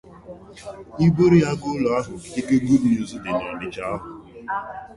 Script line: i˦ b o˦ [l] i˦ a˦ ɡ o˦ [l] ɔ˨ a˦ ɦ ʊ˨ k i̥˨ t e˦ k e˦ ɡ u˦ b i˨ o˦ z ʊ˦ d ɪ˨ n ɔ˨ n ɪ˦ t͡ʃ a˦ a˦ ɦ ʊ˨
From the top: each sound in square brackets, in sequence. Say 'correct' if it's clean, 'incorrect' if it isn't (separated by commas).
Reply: incorrect, correct